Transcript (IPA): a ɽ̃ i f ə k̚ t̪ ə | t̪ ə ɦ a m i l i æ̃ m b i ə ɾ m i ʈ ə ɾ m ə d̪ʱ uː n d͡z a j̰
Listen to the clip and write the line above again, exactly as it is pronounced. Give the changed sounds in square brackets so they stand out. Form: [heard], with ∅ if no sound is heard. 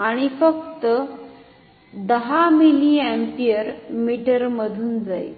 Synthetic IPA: a ɽ̃ i f ə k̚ t̪ ə | [d̪] ə ɦ a m i l i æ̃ m [p] i ə ɾ m i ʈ ə ɾ m ə d̪ʱ uː n d͡z a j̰